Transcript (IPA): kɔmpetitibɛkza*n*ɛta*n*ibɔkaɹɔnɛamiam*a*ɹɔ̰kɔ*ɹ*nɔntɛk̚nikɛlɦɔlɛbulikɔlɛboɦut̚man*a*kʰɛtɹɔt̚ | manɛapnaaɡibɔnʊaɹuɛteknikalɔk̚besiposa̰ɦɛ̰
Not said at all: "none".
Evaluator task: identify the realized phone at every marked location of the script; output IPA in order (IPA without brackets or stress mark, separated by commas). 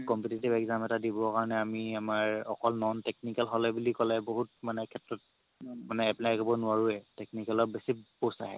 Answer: m, d, a, l, ɛ